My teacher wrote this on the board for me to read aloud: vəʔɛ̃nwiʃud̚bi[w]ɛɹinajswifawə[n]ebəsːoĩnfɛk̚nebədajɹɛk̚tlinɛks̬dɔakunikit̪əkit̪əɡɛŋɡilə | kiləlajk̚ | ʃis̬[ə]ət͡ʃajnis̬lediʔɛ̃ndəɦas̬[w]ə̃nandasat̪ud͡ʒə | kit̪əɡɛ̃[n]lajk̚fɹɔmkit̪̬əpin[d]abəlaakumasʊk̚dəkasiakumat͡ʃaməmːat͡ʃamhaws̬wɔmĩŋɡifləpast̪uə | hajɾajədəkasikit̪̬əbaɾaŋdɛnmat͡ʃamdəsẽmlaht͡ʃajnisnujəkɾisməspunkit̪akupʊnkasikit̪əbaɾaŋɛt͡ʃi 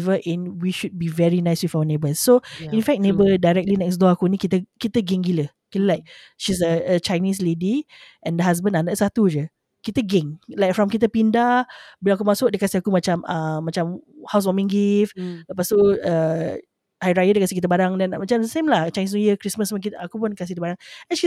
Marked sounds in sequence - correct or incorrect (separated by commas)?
incorrect, correct, correct, incorrect, incorrect, correct